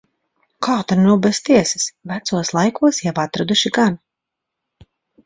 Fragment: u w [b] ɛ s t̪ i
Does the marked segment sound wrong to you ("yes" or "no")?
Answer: no